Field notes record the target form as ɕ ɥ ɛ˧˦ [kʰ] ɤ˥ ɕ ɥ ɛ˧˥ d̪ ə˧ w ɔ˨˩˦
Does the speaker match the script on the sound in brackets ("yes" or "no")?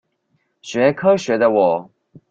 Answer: yes